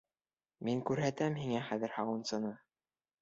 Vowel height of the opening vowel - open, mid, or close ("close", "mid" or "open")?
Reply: close